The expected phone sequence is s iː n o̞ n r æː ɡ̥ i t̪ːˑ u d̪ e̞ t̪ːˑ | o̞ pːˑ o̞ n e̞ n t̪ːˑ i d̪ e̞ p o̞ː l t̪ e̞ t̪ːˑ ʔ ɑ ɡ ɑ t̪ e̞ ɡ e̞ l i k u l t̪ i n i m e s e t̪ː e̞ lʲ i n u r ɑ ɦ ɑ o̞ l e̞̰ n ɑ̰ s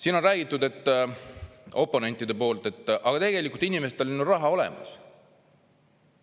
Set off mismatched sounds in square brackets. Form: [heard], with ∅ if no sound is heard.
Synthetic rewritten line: s iː n o̞ n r æː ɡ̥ i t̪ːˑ u d̪ e̞ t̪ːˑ | o̞ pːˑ o̞ n e̞ n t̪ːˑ i d̪ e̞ p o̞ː l t̪ e̞ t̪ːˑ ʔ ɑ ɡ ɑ t̪ e̞ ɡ e̞ l i k u l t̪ i n i m e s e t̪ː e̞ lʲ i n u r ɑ ɦ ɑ o̞ l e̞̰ [m] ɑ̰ s